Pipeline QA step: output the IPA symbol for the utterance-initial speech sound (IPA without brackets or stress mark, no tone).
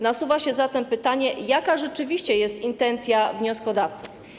n